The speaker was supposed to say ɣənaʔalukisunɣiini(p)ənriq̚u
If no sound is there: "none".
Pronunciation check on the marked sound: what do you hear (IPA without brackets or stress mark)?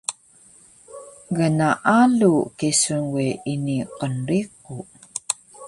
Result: q